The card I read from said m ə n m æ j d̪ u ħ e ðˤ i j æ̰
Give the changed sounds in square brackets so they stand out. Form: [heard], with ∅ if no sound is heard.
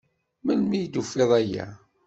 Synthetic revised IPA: m ə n m [i] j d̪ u [f] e ðˤ [æ] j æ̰